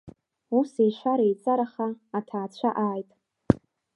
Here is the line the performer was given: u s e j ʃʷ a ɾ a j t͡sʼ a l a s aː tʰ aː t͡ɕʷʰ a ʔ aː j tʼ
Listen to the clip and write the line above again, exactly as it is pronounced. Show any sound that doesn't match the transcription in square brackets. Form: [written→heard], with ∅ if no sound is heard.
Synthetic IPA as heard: u s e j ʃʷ a ɾ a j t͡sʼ a [l→ɾ] a [s→χ] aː tʰ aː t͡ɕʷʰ a ʔ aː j tʼ